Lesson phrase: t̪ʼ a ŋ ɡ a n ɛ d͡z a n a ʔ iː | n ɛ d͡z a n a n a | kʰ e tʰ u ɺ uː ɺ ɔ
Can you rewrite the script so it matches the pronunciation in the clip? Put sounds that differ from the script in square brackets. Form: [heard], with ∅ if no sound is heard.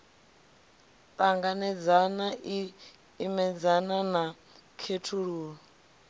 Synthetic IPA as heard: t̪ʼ a ŋ ɡ a n ɛ d͡z a n a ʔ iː | [m] ɛ d͡z a n a n a | kʰ e tʰ u ɺ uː ɺ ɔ